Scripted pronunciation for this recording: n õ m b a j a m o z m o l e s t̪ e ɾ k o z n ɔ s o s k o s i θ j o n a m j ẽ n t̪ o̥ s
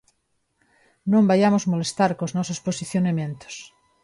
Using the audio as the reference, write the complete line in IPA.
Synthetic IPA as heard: n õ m b a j a m o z m o l e s t̪ a ɾ k o z n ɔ s o s p o s i θ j o n a m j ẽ n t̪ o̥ s